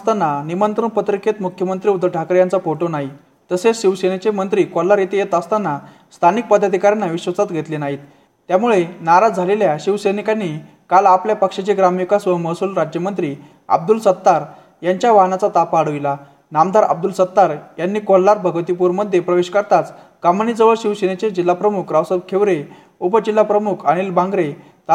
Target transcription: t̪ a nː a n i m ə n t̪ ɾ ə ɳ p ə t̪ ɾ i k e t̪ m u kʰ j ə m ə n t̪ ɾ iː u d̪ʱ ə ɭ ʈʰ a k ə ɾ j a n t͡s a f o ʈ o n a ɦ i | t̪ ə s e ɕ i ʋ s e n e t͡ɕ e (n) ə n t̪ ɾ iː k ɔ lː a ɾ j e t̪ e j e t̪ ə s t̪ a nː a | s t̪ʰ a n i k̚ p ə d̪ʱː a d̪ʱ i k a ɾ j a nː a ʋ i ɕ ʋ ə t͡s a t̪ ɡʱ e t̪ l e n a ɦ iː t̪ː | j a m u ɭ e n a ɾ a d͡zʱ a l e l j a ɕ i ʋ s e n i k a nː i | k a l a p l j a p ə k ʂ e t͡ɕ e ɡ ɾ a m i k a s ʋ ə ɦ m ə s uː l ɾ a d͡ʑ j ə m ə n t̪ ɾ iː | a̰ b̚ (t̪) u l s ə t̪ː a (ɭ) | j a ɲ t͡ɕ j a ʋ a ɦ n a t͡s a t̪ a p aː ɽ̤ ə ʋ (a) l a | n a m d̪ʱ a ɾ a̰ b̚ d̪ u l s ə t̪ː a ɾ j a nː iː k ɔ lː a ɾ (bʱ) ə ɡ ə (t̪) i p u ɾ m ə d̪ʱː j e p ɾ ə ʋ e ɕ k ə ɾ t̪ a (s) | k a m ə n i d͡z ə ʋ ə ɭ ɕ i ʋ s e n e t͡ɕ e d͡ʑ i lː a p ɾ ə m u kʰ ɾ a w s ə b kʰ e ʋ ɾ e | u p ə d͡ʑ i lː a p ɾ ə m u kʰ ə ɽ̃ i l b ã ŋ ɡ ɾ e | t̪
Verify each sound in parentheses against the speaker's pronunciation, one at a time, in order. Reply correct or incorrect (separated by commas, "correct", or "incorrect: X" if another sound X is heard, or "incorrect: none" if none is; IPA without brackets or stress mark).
incorrect: m, incorrect: d̪, incorrect: ɾ, incorrect: i, correct, correct, incorrect: t͡s